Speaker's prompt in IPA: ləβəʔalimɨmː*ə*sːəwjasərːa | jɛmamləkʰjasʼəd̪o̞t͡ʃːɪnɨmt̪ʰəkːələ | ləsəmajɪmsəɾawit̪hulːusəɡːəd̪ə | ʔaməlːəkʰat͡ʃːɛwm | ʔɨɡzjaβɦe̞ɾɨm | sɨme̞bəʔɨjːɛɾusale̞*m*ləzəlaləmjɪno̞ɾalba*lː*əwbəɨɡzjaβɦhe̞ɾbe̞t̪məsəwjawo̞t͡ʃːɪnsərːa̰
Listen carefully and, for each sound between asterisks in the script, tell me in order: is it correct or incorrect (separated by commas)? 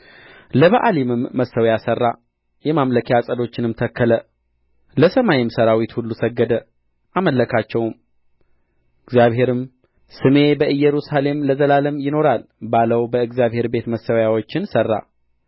correct, correct, incorrect